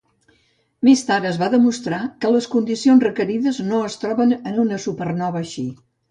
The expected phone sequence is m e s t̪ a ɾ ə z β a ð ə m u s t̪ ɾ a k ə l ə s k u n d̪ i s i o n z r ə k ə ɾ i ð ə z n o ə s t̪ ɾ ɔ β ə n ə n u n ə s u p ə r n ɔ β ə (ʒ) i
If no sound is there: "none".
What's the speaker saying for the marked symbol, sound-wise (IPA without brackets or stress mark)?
ʃ